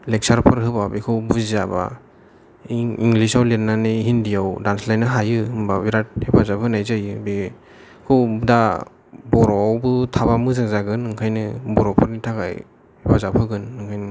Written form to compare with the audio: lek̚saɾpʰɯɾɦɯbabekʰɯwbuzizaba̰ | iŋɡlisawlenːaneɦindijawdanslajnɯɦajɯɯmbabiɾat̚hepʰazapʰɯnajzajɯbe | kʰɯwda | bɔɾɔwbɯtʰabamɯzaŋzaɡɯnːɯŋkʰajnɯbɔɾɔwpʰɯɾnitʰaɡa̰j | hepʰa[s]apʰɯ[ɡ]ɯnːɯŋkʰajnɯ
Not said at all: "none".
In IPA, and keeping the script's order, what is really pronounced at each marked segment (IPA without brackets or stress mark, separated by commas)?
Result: z, ɡ